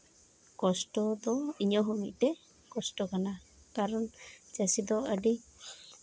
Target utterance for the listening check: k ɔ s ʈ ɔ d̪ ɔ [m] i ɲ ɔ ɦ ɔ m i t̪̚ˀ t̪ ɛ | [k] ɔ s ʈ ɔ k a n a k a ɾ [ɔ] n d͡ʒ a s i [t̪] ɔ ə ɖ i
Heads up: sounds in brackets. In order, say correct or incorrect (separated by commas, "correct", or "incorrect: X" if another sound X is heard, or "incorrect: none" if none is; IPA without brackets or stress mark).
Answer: incorrect: none, correct, correct, incorrect: d̪